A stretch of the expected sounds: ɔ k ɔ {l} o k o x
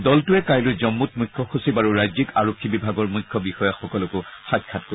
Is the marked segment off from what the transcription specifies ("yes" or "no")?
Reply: no